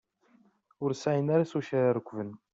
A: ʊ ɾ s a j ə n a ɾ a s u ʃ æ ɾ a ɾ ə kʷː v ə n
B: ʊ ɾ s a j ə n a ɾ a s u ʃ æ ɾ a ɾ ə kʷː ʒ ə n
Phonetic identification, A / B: A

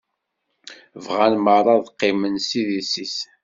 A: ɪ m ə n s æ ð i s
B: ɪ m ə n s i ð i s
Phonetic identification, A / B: B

